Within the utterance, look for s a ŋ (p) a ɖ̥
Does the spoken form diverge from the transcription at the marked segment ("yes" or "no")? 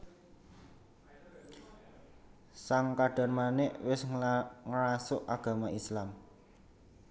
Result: yes